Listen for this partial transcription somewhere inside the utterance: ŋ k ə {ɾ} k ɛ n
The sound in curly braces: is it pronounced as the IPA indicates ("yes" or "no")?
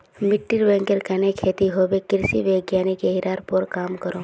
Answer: yes